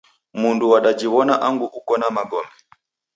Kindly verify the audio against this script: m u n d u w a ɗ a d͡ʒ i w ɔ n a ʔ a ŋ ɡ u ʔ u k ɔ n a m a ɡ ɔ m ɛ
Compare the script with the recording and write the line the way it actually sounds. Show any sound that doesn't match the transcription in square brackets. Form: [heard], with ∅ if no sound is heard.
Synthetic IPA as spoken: m u n d u w a ɗ a d͡ʒ i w ɔ n a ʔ a ŋ ɡ u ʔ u k ɔ n a m a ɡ ɔ m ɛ